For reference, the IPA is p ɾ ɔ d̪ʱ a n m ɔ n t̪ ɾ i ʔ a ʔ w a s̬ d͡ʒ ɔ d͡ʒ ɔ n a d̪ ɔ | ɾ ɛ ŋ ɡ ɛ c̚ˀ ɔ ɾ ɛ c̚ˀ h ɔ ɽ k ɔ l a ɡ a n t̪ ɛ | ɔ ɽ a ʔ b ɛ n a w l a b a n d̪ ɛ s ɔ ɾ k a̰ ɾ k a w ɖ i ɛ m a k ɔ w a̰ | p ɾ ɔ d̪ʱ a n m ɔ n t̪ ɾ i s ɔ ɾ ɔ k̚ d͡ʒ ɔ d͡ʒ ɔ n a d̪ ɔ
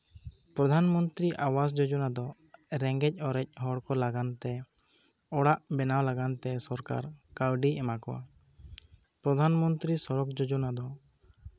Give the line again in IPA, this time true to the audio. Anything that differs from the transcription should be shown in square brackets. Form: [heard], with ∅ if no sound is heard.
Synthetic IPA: p ɾ ɔ d̪ʱ a n m ɔ n t̪ ɾ i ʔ a [∅] w a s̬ d͡ʒ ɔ d͡ʒ ɔ n a d̪ ɔ | ɾ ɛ ŋ ɡ ɛ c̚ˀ ɔ ɾ ɛ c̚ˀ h ɔ ɽ k ɔ l a ɡ a n t̪ ɛ | ɔ ɽ a ʔ b ɛ n a w l a [ɡ] a n [t̪] ɛ s ɔ ɾ k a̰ ɾ k a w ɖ i ɛ m a k ɔ w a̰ | p ɾ ɔ d̪ʱ a n m ɔ n t̪ ɾ i s ɔ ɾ ɔ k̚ d͡ʒ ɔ d͡ʒ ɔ n a d̪ ɔ